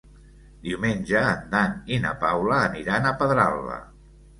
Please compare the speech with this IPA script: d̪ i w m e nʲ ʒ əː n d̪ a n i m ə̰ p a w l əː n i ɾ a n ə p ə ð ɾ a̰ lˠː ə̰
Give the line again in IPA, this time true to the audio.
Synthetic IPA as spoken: d̪ i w m e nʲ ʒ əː n d̪ a n i n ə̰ p a w l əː n i ɾ a n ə p ə ð ɾ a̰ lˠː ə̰